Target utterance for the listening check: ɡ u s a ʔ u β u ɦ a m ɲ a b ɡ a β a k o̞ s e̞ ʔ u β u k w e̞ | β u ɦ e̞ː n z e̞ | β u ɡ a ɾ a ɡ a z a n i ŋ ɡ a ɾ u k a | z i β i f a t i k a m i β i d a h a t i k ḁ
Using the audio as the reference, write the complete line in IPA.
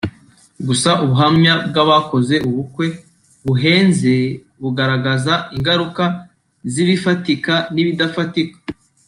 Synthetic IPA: ɡ u s a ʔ u β u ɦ a m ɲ a b ɡ a β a k o̞ z e̞ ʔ u β u k w e̞ | β u ɦ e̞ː n z e̞ | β u ɡ a ɾ a ɡ a z a i ŋ ɡ a ɾ u k a | z i β i f a t i k a n i β i d a f a t i k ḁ